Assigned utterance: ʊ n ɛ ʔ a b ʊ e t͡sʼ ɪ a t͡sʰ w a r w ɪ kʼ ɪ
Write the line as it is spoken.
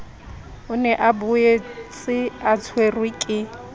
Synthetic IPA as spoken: ʊ n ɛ ʔ a b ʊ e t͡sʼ ɪ a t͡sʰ w e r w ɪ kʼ ɪ

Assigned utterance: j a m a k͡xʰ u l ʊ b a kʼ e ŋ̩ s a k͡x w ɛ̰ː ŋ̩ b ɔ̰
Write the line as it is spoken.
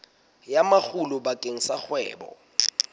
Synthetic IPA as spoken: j a m a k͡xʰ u l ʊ b a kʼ e ŋ̩ s a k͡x w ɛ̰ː b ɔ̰

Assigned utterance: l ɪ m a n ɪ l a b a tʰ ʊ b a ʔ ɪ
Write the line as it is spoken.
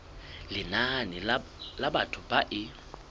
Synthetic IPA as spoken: l ɪ n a n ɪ l a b a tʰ ʊ b a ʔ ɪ

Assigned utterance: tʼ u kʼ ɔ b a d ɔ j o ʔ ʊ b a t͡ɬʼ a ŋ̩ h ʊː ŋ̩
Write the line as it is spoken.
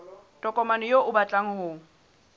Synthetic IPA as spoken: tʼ ɔ kʼ ɔ m a n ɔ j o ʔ ʊ b a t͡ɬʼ a ŋ̩ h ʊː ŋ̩

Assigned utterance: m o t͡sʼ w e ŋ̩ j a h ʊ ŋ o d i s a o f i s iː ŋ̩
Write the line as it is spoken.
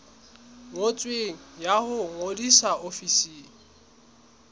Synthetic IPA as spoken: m o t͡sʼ w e ŋ̩ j a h ʊ ŋ o d i s a o f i s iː ŋ̩

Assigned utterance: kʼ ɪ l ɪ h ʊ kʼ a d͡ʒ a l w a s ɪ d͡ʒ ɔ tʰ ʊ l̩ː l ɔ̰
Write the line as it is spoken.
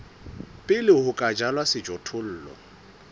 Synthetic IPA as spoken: pʼ ɪ l ɪ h ʊ kʼ a d͡ʒ a l w a s ɪ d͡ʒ ɔ tʰ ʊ l̩ː l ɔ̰

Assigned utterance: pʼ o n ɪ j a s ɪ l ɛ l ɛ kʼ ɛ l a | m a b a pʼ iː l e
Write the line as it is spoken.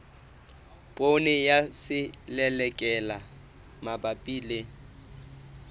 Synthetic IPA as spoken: pʼ o n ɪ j a s ɪ l ɛ l ɛ kʼ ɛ l a | m a b a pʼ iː l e

